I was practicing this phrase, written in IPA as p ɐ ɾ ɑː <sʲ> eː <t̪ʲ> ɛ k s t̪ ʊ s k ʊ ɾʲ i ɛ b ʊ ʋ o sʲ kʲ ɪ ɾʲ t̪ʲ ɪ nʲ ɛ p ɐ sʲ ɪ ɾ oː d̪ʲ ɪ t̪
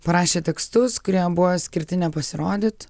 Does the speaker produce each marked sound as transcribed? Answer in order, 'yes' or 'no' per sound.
no, yes

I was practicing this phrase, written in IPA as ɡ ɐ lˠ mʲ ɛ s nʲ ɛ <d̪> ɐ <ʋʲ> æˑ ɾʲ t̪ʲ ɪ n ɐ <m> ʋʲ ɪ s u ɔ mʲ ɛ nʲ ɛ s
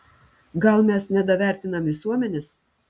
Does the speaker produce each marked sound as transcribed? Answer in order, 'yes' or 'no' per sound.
yes, yes, yes

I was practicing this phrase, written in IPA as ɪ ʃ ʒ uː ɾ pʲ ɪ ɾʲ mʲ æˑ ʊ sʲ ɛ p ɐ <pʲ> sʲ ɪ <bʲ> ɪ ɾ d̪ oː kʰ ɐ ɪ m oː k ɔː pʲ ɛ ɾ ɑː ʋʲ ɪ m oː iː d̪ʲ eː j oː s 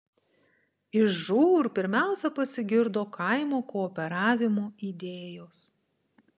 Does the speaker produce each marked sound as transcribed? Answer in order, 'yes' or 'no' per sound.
no, no

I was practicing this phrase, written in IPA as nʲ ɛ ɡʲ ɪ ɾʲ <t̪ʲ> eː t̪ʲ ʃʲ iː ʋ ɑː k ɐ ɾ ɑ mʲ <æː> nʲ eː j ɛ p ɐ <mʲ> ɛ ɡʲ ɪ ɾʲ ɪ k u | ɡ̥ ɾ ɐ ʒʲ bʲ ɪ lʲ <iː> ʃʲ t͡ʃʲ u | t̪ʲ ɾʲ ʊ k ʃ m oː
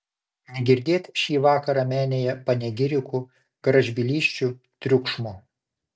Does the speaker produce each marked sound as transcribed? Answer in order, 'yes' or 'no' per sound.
no, yes, no, yes

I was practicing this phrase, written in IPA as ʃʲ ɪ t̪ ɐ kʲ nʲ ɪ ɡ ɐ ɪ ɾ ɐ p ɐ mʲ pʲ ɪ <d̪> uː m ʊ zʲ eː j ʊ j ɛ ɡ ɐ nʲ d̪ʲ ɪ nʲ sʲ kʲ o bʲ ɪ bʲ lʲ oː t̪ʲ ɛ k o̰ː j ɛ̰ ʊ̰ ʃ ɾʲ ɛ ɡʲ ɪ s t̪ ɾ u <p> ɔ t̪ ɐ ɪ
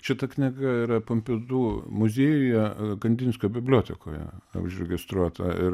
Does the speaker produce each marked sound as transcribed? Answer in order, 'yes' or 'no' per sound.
yes, no

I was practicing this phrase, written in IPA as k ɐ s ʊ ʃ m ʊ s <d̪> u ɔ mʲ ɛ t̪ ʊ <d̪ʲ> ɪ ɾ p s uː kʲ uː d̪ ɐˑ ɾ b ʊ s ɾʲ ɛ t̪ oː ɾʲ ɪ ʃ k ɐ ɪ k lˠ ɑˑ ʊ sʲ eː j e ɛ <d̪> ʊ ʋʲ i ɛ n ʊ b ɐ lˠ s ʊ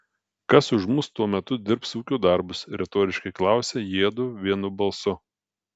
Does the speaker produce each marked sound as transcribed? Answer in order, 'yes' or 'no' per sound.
no, yes, yes

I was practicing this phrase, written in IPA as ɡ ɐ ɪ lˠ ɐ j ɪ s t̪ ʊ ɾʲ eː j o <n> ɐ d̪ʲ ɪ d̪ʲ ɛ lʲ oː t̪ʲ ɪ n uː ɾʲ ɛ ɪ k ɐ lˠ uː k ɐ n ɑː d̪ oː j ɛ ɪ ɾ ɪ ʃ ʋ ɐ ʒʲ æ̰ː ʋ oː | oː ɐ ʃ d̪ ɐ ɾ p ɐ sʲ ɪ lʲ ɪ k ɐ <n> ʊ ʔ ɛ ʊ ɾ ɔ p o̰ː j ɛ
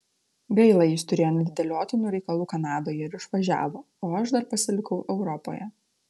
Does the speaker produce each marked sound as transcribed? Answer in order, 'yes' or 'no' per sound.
yes, no

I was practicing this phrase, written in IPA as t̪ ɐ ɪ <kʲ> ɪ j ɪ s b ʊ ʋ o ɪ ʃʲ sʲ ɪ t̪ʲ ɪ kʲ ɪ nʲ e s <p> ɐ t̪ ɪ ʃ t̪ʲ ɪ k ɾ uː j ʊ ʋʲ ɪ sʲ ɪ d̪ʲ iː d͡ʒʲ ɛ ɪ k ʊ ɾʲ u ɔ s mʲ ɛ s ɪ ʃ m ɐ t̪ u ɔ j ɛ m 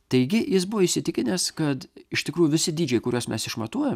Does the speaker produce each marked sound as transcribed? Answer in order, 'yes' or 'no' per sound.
no, no

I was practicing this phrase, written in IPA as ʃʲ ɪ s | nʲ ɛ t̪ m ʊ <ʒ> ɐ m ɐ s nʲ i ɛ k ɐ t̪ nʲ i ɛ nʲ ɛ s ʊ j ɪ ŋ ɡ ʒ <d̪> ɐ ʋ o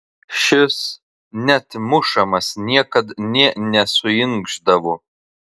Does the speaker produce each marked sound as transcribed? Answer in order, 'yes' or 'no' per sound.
no, yes

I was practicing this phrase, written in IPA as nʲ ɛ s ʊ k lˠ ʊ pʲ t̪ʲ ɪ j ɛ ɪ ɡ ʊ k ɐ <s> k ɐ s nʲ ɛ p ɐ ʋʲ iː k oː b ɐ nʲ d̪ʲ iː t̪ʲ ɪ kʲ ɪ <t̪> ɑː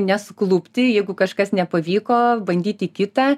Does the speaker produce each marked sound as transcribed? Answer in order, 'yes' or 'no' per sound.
no, yes

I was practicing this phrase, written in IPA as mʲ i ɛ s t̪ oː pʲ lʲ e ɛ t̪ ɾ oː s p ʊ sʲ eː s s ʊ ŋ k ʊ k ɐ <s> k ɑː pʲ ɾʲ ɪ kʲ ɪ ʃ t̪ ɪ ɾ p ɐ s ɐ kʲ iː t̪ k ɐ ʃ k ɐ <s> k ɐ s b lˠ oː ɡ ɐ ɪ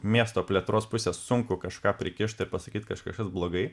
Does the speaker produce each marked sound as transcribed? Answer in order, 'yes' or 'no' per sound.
no, no

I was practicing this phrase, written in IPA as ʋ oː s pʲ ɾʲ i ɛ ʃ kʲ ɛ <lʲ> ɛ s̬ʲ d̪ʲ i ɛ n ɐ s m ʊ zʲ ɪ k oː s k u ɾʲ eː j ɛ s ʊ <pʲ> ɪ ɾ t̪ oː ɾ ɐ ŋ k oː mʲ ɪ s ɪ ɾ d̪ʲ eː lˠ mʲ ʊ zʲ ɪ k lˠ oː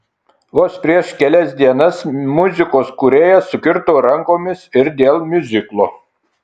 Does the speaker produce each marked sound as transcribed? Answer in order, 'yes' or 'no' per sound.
yes, no

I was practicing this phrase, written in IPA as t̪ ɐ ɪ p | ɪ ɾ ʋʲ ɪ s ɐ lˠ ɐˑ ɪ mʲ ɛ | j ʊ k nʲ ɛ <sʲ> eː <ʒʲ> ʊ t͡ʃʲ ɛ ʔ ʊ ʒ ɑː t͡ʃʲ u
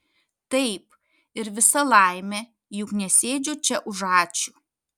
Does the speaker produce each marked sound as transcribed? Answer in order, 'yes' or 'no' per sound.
yes, no

